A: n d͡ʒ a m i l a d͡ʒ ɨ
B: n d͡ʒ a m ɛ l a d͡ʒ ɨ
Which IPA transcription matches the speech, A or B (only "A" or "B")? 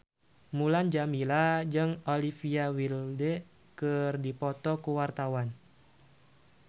A